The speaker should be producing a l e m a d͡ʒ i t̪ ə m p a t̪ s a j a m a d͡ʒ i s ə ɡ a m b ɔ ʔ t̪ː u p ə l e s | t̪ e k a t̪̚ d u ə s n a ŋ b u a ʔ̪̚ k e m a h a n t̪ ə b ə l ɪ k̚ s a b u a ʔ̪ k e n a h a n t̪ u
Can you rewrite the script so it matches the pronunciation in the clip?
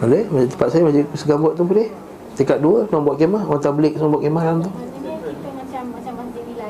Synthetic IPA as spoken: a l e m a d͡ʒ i t̪ ə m p a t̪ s a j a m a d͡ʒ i s ə ɡ a m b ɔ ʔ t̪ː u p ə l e h | t̪ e k a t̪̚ d u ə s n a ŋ b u a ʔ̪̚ k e m a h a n t̪ a b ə l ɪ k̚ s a b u a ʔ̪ k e m a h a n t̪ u